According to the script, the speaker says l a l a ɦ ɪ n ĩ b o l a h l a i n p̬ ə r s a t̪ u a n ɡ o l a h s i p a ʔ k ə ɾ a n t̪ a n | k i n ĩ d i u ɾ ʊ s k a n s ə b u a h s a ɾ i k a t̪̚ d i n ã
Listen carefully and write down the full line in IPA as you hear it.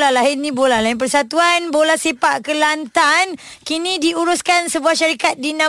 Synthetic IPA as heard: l a l a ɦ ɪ n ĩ b o l a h l a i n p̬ ə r s a t̪ u a n b o l a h s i p a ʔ k ə l a n t̪ a n | k i n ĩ d i u ɾ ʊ s k a n s ə b u a h ʃ a ɾ i k a t̪̚ d i n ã